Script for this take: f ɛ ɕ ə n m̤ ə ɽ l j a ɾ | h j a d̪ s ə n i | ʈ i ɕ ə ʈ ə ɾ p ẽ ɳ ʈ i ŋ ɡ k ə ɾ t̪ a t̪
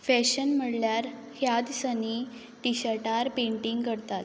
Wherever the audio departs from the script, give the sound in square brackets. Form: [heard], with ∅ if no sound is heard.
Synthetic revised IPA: f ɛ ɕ ə n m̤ ə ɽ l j a ɾ | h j a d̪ s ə n i | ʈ i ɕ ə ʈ [a] ɾ p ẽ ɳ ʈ i ŋ ɡ k ə ɾ t̪ a t̪